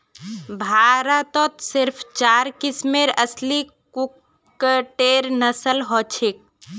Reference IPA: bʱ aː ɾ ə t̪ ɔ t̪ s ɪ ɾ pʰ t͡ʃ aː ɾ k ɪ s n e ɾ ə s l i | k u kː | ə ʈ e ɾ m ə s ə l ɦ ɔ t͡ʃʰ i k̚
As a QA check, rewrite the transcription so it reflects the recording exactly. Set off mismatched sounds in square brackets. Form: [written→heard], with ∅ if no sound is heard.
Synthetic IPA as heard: bʱ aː ɾ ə t̪ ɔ t̪ s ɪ ɾ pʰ t͡ʃ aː ɾ k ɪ s [n→m] e ɾ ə s l i | k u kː | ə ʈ e ɾ [m→n] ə s ə l ɦ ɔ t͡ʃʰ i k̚